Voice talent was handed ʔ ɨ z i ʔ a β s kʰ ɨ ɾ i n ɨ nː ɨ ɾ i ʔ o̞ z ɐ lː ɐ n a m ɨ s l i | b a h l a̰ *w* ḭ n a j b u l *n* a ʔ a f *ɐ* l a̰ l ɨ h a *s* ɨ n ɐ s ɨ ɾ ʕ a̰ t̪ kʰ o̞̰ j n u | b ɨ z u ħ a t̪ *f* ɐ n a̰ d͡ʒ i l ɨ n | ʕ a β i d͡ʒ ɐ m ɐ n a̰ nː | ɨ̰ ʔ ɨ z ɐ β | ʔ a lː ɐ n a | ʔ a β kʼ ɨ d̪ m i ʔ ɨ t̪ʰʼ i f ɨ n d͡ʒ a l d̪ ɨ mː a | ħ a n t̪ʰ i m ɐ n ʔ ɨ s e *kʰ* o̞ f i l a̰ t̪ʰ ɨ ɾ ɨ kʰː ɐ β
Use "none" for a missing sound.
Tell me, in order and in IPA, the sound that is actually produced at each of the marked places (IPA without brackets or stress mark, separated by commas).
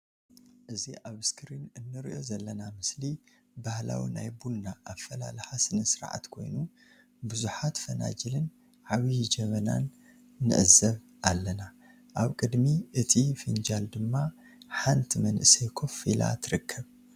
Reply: w, n, ɐ, s, f, kʰ